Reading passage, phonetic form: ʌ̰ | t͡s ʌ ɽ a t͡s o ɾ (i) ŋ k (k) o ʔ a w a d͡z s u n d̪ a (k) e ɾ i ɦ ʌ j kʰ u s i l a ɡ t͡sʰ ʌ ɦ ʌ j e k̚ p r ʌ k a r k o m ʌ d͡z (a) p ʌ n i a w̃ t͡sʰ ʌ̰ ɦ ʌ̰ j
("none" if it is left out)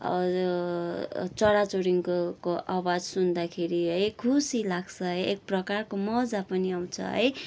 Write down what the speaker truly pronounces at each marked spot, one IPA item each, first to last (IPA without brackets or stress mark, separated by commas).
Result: i, k, kʰ, a